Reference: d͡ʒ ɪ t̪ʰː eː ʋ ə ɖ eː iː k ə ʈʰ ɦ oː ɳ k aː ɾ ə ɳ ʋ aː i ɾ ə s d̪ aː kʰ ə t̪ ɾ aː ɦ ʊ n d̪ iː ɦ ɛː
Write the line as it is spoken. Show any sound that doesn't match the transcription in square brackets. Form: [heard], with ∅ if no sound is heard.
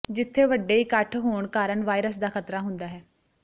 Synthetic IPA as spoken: d͡ʒ ɪ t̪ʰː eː ʋ ə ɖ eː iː k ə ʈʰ ɦ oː ɳ k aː ɾ ə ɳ ʋ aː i ɾ ə s d̪ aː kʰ ə t̪ ɾ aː ɦ ʊ n d̪ [aː] ɦ ɛː